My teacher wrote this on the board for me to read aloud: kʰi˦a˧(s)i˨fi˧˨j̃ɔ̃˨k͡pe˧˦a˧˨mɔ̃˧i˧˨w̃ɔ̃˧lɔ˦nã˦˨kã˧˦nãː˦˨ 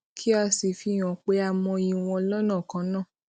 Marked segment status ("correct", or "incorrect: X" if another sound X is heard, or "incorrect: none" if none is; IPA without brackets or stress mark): correct